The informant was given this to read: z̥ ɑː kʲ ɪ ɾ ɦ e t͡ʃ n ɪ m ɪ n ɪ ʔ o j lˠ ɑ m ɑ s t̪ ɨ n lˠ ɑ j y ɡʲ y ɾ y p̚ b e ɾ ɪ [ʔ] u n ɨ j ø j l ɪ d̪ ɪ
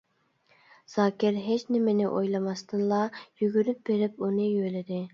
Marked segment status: incorrect: p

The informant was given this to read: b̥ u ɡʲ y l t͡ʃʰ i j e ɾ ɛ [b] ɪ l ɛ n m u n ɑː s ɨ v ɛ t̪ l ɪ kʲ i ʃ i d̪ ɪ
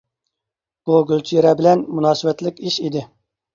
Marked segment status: correct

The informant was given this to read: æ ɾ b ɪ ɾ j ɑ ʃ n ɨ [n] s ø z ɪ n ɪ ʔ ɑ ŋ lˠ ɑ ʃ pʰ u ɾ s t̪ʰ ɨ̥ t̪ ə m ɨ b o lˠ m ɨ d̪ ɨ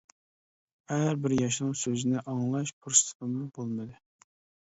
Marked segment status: incorrect: ŋ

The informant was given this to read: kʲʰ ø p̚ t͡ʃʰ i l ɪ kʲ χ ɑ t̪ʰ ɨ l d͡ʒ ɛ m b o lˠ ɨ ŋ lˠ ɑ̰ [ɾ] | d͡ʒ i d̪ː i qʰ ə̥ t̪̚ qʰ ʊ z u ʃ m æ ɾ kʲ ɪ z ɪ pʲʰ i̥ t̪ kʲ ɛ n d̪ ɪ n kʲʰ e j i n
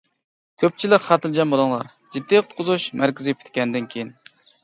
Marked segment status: correct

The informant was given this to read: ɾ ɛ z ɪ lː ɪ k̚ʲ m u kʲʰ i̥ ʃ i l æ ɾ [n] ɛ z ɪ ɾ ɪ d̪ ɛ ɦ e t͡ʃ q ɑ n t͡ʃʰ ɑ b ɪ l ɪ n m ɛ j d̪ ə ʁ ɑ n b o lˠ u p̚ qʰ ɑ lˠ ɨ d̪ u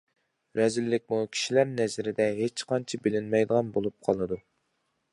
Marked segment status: correct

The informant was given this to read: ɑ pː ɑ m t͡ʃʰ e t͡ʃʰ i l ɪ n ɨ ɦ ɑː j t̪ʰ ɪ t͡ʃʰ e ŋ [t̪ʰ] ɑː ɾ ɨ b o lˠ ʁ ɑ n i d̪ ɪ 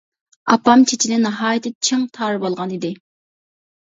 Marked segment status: correct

